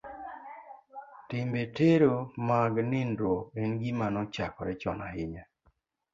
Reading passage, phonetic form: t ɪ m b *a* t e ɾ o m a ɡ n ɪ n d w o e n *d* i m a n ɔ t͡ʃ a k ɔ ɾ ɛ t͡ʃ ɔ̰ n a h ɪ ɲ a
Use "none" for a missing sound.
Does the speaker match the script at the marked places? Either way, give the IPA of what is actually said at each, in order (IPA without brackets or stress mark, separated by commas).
e, ɡ